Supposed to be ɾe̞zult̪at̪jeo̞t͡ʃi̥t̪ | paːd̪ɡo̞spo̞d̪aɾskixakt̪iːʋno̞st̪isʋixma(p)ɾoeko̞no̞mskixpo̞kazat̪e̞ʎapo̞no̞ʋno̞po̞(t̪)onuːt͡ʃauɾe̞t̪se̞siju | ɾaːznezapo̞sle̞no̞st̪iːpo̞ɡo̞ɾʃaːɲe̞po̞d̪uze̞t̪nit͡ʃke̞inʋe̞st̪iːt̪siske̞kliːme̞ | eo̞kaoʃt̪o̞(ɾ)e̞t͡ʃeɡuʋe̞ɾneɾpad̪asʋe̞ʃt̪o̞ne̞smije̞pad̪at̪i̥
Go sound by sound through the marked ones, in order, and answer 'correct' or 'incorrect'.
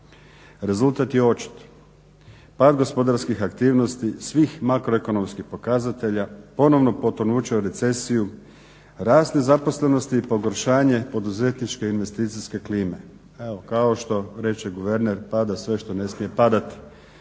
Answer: incorrect: k, correct, correct

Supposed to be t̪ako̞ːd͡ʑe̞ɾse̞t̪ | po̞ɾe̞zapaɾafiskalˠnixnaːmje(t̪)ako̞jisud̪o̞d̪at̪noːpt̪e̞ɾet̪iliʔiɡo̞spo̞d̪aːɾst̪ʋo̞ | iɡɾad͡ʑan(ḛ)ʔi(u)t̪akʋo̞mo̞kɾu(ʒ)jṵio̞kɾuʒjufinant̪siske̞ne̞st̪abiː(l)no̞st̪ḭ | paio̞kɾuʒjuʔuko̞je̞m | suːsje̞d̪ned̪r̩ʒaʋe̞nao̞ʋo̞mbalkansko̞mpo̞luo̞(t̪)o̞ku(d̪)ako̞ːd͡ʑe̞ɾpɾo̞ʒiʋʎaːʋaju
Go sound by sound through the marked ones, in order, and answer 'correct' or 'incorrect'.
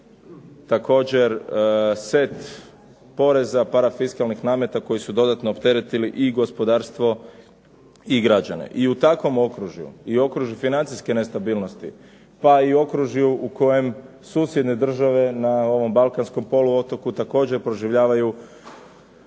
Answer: correct, correct, correct, correct, correct, correct, incorrect: t̪

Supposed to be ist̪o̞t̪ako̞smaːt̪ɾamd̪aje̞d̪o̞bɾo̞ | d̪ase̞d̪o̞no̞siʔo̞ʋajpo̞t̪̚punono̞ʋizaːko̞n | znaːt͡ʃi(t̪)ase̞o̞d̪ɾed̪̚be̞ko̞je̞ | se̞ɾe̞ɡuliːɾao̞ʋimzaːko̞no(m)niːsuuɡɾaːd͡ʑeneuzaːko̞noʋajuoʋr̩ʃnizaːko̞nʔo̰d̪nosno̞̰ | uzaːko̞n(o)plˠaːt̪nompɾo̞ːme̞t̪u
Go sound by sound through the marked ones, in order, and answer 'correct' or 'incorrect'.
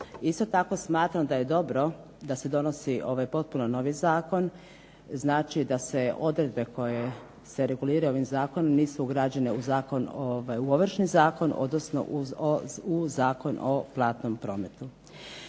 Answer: incorrect: d̪, correct, correct

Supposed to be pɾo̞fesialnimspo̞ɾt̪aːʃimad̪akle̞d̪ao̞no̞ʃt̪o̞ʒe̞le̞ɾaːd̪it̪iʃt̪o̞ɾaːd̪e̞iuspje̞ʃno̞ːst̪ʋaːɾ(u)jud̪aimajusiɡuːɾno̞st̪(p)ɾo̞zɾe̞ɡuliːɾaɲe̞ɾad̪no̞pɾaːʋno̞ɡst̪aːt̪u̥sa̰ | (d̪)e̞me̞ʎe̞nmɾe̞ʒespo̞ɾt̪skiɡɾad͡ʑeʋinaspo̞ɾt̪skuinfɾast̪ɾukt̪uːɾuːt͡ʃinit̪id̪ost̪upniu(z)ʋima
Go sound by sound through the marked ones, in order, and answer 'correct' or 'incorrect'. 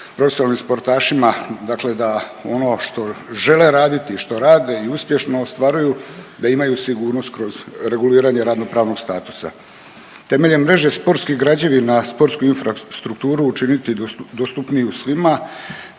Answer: correct, incorrect: k, incorrect: t̪, incorrect: s

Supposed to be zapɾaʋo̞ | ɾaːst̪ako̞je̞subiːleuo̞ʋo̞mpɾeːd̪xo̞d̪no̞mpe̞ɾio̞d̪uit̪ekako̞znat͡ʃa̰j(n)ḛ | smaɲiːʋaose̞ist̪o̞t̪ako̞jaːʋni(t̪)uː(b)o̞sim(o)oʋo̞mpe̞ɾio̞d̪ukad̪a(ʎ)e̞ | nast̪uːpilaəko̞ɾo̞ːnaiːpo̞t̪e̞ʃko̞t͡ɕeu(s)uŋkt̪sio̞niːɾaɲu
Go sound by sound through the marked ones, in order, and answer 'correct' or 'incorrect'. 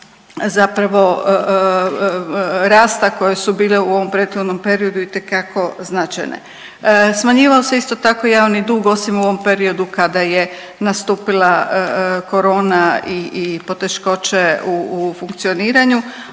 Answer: correct, incorrect: d̪, incorrect: ɡ, incorrect: u, incorrect: j, incorrect: f

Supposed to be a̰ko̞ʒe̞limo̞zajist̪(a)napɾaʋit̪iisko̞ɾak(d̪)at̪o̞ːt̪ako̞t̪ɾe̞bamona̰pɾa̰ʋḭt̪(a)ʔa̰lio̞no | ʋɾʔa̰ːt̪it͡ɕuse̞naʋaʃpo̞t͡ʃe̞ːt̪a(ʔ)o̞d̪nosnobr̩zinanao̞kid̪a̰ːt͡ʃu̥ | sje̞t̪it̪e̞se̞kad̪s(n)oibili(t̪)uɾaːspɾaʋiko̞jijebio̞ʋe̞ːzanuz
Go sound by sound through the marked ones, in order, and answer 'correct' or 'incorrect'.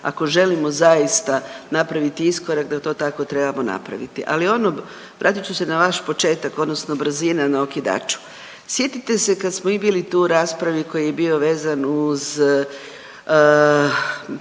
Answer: correct, correct, incorrect: i, incorrect: k, incorrect: m, correct

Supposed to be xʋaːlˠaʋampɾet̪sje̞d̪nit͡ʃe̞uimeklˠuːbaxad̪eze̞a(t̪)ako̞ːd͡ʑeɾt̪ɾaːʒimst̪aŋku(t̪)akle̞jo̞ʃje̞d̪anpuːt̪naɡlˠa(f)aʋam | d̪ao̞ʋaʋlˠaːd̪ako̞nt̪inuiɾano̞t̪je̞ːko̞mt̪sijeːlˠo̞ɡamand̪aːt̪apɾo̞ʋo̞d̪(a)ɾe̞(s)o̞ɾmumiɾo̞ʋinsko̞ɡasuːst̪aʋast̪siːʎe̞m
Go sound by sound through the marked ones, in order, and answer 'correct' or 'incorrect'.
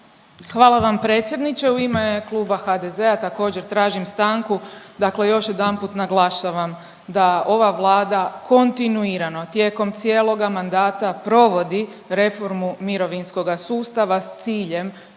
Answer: correct, incorrect: d̪, incorrect: ʃ, incorrect: i, incorrect: f

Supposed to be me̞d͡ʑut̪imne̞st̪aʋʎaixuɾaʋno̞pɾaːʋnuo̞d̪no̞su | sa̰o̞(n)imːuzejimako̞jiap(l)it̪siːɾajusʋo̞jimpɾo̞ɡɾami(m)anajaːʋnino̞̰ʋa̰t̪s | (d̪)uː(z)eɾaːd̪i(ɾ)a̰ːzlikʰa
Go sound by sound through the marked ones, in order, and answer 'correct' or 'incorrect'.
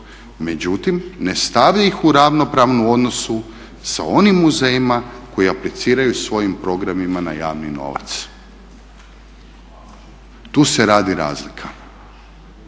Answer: correct, correct, correct, incorrect: t̪, incorrect: s, correct

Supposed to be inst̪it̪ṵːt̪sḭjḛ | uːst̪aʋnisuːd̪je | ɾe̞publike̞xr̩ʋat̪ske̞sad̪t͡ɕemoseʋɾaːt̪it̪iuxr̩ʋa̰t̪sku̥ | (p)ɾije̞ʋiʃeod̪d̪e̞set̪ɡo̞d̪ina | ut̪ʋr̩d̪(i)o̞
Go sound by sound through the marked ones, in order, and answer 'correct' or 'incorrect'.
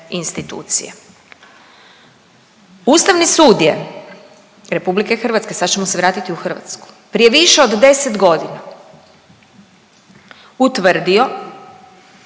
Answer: correct, correct

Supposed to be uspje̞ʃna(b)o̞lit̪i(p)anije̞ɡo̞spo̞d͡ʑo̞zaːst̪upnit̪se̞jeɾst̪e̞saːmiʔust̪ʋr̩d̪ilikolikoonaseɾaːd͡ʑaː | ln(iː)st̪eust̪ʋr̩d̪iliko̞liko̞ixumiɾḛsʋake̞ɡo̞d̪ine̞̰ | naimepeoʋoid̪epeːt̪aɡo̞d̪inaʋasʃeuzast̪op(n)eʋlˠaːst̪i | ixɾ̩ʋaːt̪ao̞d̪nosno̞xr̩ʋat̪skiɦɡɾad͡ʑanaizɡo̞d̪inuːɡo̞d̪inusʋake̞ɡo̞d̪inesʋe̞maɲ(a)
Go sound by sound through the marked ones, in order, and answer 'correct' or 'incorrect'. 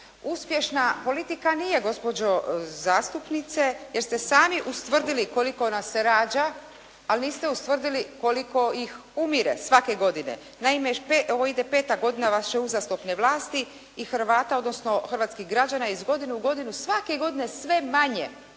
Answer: incorrect: p, incorrect: k, correct, correct, incorrect: e

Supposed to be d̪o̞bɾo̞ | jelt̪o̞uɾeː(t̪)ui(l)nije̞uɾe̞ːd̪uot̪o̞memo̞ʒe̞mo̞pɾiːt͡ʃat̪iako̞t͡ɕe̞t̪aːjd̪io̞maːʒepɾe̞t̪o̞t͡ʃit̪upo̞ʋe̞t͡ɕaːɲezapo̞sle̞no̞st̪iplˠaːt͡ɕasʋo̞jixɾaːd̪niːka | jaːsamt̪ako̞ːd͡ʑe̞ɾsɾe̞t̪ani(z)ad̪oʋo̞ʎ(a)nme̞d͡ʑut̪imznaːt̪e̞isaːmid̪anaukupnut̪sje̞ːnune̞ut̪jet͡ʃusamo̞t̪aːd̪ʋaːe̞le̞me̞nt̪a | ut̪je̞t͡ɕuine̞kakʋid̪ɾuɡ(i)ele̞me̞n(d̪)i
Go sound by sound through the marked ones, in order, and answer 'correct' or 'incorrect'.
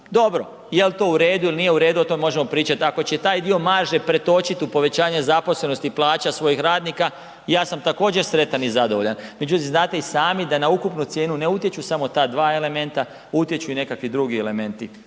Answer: incorrect: d̪, correct, correct, correct, correct, incorrect: t̪

